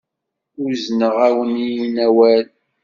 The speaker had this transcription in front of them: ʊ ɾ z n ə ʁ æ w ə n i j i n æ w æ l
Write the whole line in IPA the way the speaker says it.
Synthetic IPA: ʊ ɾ z n ə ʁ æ w ə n i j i n æ w æ l